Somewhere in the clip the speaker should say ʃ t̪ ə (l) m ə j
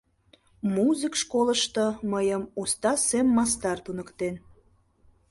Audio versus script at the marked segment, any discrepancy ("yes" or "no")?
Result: yes